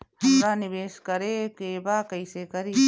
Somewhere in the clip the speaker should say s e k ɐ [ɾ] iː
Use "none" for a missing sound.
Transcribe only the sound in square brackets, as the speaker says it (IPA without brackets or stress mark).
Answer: ɾ